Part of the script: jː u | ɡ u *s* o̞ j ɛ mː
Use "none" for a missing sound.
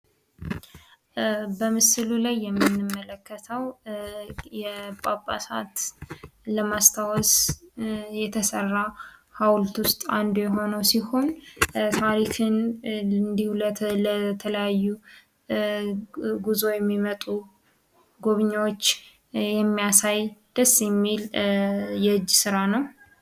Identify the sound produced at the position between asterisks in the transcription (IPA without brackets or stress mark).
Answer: z